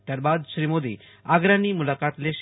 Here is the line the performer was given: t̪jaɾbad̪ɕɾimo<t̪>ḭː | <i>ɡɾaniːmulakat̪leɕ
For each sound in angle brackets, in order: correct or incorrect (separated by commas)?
incorrect, incorrect